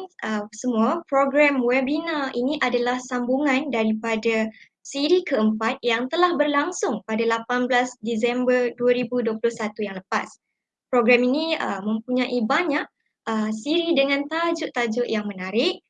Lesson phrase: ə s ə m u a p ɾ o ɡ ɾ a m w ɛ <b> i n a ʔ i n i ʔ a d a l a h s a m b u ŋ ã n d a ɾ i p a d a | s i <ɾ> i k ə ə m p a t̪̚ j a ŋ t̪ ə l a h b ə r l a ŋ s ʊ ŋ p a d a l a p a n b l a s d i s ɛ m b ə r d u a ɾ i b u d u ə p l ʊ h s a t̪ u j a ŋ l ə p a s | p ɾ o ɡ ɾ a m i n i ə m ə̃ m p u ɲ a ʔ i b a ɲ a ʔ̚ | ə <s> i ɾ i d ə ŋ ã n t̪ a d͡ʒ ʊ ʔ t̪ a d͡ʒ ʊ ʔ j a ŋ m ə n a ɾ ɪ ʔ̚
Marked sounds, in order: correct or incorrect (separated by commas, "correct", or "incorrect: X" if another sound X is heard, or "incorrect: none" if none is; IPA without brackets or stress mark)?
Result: correct, correct, correct